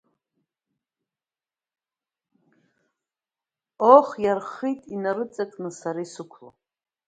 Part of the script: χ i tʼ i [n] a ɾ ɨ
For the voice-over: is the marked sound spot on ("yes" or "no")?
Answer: yes